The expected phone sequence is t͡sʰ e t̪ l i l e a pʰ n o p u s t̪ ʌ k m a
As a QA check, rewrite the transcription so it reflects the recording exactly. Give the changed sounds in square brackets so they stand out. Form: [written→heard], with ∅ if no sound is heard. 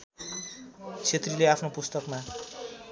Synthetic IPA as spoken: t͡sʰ e t̪ [l→r] i l e a pʰ n o p u s t̪ ʌ k m a